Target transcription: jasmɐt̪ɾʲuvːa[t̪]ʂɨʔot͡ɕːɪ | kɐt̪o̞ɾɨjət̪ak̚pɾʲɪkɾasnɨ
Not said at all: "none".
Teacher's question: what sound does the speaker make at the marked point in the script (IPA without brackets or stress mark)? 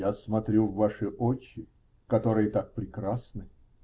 none